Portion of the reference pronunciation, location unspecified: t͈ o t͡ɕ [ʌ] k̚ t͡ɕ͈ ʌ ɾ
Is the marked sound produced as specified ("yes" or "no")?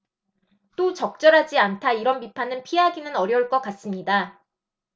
yes